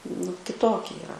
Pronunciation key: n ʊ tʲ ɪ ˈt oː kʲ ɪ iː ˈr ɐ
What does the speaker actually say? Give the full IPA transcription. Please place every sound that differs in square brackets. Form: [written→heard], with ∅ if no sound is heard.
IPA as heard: n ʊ [tʲ→kʲ] ɪ ˈt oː kʲ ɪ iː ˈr ɐ